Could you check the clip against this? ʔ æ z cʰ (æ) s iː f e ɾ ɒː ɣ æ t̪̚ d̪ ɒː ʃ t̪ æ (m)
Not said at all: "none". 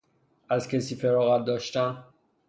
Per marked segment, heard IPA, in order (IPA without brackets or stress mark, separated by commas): e, n